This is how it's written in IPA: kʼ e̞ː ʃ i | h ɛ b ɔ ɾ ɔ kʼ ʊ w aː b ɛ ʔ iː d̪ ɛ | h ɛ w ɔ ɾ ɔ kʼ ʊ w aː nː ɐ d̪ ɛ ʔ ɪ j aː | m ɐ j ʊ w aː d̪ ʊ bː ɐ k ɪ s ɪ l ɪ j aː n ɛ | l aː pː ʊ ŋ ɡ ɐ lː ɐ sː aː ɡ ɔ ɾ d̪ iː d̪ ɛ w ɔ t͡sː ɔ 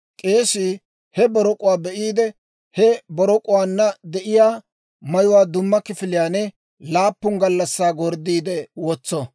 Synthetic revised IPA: kʼ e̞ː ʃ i | h ɛ b ɔ ɾ ɔ kʼ ʊ w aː b ɛ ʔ iː d̪ ɛ | h ɛ b ɔ ɾ ɔ kʼ ʊ w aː nː ɐ d̪ ɛ ʔ ɪ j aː | m ɐ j ʊ w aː d̪ ʊ mː ɐ k ɪ f ɪ l ɪ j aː n ɛ | l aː pː ʊ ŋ ɡ ɐ lː ɐ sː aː ɡ ɔ ɾ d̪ iː d̪ ɛ w ɔ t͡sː ɔ